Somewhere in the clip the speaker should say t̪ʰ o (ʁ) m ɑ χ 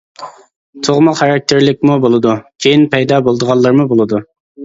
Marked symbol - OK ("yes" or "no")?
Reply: yes